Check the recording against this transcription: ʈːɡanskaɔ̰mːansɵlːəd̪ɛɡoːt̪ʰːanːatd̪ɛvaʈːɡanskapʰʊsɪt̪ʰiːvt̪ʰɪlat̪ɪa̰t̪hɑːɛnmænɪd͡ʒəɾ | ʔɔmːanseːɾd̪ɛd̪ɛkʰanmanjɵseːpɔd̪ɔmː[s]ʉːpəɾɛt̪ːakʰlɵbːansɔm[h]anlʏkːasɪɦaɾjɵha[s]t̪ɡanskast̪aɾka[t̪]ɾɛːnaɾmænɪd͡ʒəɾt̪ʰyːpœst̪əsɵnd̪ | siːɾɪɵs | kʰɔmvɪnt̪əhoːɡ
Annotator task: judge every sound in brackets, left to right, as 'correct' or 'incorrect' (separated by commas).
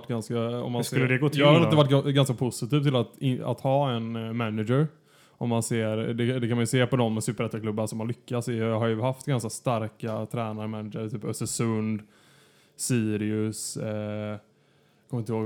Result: correct, correct, incorrect, incorrect